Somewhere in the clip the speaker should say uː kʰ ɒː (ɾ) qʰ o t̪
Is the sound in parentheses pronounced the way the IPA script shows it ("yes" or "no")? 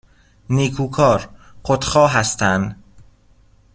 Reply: yes